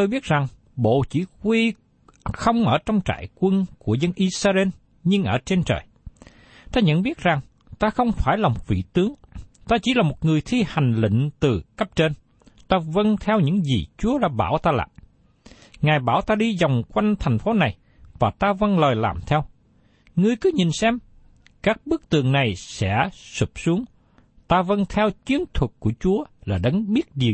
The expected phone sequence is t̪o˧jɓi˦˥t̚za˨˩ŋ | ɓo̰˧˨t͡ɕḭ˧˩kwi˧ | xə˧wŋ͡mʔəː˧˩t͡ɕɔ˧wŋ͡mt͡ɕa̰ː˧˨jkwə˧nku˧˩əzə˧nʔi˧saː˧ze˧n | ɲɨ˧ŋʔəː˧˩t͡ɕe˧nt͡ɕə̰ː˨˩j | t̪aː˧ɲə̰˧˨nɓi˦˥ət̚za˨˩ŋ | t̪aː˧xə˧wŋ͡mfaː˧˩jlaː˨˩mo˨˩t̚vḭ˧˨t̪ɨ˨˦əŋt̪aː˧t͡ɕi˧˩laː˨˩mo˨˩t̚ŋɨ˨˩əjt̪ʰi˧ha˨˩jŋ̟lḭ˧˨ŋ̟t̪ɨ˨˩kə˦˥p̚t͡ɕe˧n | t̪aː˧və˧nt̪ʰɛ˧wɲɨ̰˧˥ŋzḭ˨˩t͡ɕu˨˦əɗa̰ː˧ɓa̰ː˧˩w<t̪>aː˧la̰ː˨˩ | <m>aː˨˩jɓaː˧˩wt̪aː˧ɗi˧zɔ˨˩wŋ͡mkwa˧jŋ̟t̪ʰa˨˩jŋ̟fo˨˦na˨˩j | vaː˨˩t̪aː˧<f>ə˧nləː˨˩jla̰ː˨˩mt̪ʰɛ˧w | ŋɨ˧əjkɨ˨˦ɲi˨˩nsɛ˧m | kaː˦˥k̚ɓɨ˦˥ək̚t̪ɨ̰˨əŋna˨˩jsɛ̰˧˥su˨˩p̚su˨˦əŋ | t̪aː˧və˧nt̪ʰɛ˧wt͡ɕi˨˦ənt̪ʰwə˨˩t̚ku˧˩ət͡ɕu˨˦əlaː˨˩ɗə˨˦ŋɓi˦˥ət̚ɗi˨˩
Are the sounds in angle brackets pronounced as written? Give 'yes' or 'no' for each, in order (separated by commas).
yes, no, no